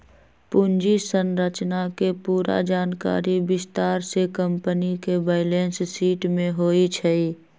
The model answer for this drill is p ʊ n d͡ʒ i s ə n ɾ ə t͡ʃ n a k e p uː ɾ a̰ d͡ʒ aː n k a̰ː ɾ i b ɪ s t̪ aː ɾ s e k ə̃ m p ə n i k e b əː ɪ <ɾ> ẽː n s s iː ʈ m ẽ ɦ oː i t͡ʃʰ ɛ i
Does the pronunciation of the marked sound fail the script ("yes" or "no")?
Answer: yes